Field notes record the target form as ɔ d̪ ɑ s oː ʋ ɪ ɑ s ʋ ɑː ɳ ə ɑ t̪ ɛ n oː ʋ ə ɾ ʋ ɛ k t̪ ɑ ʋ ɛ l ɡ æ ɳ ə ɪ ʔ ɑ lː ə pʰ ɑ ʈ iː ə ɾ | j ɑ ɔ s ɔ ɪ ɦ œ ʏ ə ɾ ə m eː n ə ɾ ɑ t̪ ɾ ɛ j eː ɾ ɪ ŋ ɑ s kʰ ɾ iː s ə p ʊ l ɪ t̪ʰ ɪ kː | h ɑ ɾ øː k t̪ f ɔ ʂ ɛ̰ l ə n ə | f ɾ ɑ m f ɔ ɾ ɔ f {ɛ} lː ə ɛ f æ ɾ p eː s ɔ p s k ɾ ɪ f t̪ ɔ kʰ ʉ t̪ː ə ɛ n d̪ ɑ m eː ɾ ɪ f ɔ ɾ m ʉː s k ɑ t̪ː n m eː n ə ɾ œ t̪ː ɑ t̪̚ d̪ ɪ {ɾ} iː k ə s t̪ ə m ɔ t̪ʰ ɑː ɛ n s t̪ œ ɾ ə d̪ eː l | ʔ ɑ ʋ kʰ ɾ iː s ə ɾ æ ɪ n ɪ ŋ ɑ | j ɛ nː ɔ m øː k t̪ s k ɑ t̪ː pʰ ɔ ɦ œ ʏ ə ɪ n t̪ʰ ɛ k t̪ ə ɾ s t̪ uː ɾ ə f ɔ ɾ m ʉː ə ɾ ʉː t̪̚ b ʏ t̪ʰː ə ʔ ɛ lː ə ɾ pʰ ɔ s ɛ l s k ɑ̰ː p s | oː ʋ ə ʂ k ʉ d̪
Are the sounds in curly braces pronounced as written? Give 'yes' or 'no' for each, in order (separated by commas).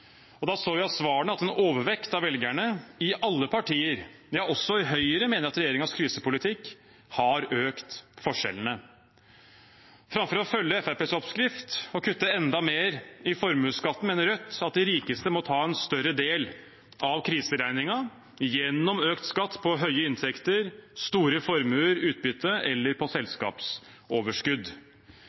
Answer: no, yes